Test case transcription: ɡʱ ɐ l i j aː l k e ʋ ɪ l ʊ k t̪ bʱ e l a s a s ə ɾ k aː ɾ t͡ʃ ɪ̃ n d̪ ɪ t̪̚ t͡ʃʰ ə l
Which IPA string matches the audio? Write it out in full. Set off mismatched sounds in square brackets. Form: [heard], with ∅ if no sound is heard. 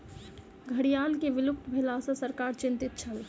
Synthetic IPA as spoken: ɡʱ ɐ [ɽ] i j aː l k e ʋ ɪ l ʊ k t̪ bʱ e l a s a s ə ɾ k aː ɾ t͡ʃ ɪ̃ n [t̪] ɪ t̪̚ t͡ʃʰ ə l